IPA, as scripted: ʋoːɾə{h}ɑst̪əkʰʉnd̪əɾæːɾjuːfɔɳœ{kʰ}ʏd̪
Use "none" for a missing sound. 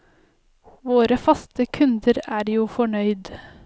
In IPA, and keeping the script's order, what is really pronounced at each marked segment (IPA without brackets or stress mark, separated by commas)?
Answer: f, none